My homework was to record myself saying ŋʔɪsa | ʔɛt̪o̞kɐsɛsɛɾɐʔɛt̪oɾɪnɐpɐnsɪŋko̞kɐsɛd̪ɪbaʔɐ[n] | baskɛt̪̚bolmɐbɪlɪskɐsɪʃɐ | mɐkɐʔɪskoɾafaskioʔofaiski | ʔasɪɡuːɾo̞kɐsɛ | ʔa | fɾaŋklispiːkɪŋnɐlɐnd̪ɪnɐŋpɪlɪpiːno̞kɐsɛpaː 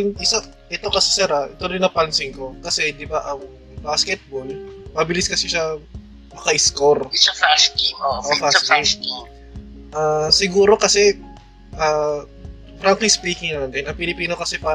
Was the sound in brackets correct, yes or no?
no